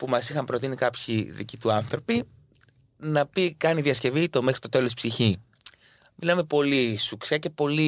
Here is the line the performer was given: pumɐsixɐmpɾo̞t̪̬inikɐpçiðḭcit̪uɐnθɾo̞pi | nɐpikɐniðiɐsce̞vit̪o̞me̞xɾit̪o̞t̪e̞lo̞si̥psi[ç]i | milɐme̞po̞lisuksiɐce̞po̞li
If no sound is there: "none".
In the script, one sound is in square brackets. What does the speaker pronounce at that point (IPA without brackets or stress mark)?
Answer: ç